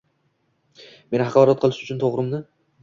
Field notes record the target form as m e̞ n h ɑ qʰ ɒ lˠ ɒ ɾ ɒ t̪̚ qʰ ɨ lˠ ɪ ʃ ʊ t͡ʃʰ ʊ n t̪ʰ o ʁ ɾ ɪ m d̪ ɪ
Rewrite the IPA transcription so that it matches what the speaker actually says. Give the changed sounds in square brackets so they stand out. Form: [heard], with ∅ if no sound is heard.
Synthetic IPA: m e̞ n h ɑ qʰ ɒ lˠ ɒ ɾ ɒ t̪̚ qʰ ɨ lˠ ɪ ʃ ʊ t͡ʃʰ ʊ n t̪ʰ o ʁ ɾ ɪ m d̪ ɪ

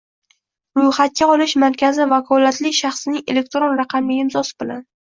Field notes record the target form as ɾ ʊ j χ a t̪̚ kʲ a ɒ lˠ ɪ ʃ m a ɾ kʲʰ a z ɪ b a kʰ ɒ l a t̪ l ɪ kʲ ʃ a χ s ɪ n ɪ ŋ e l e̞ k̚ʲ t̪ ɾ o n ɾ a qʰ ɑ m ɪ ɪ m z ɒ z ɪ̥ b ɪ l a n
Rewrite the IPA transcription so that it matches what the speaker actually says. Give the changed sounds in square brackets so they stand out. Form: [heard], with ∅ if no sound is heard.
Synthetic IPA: ɾ ʊ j χ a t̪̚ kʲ a ɒ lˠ ɪ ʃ m a ɾ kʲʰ a z ɪ [v] a kʰ ɒ l a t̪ l ɪ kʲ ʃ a χ s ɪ n ɪ ŋ e l e̞ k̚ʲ t̪ ɾ o n ɾ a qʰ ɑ m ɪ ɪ m z ɒ [s] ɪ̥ b ɪ l a n

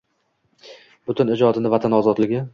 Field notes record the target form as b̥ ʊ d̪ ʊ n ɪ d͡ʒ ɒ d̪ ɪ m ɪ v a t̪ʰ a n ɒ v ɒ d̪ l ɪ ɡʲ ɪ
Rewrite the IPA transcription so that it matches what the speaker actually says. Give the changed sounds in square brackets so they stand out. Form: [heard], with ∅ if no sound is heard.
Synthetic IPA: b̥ ʊ [t̪] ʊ n ɪ d͡ʒ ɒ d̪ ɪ [n] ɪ v a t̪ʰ a n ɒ [z] ɒ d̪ l ɪ ɡʲ ɪ

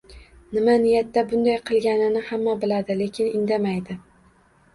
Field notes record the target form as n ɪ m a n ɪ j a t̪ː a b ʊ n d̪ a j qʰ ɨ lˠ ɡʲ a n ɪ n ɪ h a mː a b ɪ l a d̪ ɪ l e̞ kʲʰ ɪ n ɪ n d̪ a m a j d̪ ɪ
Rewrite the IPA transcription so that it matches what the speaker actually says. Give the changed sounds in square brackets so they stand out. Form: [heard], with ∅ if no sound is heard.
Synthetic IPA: n ɪ m a n ɪ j a t̪ː a b ʊ n d̪ a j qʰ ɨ lˠ ɡʲ a n ɪ n ɪ h a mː a b ɪ l a d̪ ɪ l e̞ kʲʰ ɪ n ɪ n d̪ a m a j d̪ ɪ

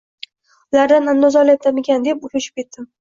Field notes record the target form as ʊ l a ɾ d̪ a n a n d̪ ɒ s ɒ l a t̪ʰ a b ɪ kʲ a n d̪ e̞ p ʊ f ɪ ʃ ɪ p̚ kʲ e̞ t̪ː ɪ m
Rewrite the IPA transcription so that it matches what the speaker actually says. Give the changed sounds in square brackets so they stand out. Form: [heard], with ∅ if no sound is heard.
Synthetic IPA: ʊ l a ɾ d̪ a n a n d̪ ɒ [z] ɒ l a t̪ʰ a [m] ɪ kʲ a n d̪ e̞ p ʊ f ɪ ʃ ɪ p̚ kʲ e̞ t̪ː ɪ m

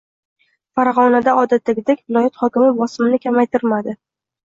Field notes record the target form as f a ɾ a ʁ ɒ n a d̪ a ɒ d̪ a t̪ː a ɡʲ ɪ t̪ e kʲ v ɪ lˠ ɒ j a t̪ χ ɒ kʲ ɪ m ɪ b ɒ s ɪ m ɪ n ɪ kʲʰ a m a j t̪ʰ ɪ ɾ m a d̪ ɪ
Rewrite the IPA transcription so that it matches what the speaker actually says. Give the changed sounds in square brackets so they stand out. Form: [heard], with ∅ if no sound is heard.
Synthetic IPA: f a ɾ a ʁ ɒ n a d̪ a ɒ d̪ a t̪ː a ɡʲ ɪ [d̪] e kʲ v ɪ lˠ ɒ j a t̪ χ ɒ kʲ ɪ m ɪ b ɒ s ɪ m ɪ n ɪ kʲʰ a m a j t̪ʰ ɪ ɾ m a d̪ ɪ

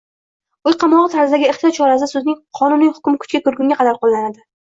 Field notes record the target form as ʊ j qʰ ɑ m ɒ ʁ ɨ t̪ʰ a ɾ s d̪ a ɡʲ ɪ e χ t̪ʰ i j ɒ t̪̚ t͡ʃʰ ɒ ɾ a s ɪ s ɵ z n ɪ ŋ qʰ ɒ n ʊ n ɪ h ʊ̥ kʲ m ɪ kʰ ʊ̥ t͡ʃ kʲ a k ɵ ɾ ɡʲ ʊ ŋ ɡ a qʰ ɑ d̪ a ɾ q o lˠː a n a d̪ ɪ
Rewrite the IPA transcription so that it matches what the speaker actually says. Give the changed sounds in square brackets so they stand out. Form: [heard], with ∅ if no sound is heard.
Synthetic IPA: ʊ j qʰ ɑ m ɒ ʁ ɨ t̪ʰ a ɾ [z] d̪ a ɡʲ ɪ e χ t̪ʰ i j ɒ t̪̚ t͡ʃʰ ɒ ɾ a s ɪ s ɵ z n ɪ ŋ qʰ ɒ n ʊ n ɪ h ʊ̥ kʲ m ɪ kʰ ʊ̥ t͡ʃ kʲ a k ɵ ɾ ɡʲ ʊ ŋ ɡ a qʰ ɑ d̪ a ɾ q o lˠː a n a d̪ ɪ

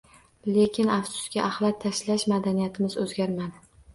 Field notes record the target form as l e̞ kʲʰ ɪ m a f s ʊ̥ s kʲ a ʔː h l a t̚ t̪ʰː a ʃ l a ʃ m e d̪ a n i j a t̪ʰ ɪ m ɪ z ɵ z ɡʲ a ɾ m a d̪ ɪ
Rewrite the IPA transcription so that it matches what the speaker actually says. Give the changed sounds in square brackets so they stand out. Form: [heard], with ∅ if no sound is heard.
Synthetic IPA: l e̞ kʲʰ ɪ [n] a f s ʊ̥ s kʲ a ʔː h l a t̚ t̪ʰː a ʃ l a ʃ m [a] d̪ a n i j a t̪ʰ ɪ m ɪ z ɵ z ɡʲ a ɾ m a d̪ ɪ

